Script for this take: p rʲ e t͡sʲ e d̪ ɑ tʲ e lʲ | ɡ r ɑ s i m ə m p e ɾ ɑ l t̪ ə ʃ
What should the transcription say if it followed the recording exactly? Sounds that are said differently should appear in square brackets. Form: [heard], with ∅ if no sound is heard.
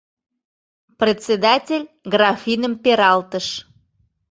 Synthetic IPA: p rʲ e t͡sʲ e d̪ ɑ tʲ e lʲ | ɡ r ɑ [f] i [n] ə m p e ɾ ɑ l t̪ ə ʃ